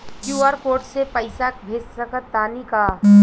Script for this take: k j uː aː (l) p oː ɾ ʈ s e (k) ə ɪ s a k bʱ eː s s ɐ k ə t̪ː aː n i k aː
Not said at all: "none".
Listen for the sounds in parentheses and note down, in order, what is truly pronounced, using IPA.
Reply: ɾ, p

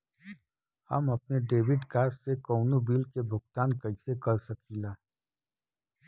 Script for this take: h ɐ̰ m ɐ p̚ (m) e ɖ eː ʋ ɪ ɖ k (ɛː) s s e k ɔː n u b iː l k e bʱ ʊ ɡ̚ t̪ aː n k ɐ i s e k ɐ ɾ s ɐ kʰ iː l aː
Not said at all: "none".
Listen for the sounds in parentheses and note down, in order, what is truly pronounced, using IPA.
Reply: n, aː

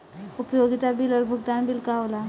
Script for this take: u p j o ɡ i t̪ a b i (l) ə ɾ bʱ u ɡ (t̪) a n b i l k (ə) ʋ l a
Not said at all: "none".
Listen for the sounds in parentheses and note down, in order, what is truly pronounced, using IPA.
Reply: l, d̪, a

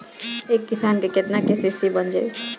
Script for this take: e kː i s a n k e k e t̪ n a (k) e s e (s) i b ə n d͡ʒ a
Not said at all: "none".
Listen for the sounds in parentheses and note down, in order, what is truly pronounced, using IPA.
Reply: k, s

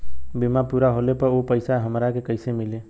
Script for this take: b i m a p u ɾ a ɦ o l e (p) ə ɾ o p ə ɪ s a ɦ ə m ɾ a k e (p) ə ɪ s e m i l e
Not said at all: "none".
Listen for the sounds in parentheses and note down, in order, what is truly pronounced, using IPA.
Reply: p, k

